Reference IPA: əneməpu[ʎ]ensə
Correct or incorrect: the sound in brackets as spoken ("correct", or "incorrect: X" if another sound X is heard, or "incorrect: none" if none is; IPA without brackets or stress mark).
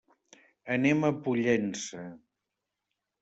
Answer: correct